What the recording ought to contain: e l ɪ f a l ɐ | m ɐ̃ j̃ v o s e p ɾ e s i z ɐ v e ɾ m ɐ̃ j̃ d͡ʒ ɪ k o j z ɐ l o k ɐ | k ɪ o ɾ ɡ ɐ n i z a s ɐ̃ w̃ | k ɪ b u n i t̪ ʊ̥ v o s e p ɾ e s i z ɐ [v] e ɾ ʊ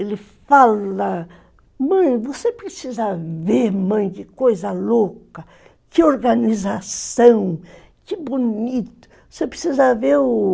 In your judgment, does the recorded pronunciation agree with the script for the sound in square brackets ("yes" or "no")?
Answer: yes